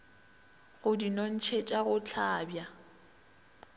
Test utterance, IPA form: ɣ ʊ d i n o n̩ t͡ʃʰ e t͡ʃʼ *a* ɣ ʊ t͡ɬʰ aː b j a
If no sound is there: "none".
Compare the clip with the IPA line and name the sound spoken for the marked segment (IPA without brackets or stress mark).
a